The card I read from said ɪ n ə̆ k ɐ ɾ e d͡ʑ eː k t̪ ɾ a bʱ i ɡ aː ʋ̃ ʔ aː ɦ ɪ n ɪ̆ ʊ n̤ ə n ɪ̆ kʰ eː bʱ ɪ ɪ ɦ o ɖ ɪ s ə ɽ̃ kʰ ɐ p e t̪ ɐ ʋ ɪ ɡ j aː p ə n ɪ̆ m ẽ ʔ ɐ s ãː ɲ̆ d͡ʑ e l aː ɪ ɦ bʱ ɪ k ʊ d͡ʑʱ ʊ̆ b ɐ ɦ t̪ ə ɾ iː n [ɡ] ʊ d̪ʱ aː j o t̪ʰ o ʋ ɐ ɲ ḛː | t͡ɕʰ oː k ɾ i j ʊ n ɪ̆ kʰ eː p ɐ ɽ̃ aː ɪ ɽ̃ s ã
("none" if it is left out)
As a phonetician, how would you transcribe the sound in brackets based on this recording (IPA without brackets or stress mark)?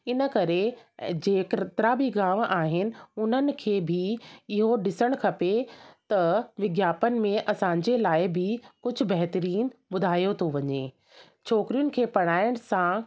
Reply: b